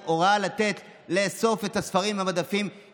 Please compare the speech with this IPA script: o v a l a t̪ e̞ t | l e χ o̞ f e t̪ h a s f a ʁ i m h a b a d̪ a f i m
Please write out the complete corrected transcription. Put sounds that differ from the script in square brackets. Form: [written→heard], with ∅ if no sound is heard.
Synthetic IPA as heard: o [v→ʁ] a l a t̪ e̞ t | l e [χ→s] o̞ f e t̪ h a s f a ʁ i m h a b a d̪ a f i m